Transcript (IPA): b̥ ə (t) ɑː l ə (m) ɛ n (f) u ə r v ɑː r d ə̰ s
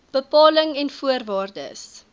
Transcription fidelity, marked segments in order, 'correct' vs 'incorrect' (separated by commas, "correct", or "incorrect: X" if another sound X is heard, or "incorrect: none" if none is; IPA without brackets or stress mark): incorrect: p, incorrect: ŋ, correct